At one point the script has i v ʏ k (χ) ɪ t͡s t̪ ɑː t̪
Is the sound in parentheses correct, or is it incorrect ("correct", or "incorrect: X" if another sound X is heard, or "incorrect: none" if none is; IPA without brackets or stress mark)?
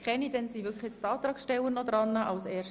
correct